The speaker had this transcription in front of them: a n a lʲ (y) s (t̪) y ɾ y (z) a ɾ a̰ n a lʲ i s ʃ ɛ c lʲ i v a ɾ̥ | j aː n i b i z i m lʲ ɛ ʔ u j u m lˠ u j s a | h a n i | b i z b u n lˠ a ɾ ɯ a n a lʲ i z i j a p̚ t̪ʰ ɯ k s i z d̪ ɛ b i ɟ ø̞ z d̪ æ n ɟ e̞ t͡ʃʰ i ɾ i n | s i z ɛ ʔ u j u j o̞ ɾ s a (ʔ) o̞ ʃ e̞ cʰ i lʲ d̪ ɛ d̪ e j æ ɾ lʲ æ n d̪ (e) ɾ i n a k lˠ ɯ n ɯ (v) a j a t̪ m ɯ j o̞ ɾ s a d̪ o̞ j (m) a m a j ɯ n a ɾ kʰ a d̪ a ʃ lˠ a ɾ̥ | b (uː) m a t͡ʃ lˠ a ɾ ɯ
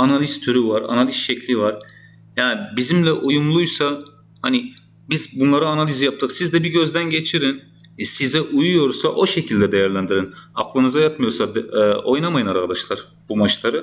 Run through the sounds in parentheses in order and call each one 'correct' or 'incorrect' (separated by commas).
incorrect, incorrect, incorrect, correct, incorrect, incorrect, incorrect, incorrect